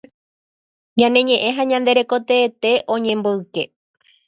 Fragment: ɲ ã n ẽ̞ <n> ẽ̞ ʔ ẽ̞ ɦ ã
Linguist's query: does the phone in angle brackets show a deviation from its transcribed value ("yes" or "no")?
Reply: yes